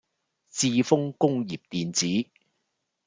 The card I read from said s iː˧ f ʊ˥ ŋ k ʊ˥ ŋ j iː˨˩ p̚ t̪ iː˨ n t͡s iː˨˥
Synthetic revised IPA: t͡s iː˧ f ʊ˥ ŋ k ʊ˥ ŋ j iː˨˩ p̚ t̪ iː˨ n t͡s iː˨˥